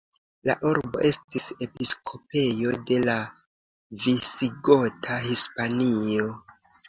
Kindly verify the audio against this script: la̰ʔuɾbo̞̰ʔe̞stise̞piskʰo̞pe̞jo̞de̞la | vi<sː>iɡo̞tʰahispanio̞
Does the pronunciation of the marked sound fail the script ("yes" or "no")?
yes